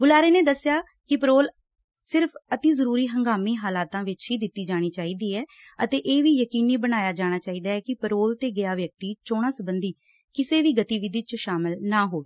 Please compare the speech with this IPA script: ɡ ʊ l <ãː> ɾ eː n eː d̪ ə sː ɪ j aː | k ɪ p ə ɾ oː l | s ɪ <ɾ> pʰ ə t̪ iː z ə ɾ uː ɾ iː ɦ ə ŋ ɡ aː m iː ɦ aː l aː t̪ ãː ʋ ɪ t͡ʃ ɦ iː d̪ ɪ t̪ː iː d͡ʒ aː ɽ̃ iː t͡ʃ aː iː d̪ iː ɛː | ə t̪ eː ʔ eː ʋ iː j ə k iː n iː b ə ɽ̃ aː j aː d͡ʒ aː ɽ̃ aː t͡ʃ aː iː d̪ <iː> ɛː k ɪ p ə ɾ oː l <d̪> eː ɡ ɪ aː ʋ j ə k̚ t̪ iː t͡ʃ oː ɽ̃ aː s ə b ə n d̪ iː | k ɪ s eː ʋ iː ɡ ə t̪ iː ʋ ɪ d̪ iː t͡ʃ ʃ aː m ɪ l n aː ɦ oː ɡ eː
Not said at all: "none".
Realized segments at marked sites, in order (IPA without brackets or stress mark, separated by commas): aː, ɾ, aː, t̪